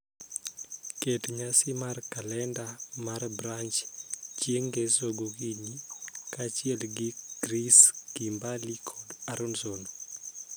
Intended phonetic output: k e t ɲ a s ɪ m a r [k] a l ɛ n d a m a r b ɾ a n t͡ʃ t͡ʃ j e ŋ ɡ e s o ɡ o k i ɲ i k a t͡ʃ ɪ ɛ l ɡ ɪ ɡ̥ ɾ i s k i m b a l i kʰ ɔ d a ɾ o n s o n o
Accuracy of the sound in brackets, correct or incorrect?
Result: correct